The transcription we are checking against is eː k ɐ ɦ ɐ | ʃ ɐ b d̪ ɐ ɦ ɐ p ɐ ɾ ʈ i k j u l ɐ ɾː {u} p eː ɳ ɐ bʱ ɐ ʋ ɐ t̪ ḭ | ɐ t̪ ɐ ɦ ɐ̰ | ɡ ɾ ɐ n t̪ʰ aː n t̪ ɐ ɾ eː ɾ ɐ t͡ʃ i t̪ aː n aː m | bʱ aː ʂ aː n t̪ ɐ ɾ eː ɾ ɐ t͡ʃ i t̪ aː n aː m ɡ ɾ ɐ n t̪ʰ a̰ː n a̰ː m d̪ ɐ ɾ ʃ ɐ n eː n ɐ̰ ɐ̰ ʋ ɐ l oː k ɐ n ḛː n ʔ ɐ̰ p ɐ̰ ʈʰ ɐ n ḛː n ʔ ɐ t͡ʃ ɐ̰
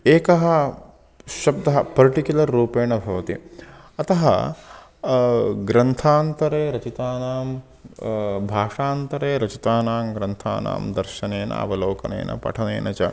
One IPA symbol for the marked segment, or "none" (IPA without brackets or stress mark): uː